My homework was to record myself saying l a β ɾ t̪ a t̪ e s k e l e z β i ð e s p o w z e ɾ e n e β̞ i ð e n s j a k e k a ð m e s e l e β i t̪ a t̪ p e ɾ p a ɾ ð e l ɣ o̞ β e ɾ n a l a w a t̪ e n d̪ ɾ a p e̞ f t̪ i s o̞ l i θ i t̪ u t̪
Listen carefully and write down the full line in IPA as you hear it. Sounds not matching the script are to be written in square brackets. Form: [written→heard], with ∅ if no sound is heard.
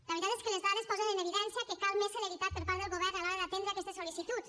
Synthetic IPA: l a β ɾ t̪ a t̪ e s k e l e z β [i→a] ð e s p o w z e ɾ e n e β̞ i ð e n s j a k e k a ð m e s e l e β i t̪ a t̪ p e ɾ p a ɾ ð e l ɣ o̞ β e ɾ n a l a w a t̪ e n d̪ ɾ a [p→k] e̞ [f→s] t̪ [i→e] s o̞ l i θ i t̪ u t̪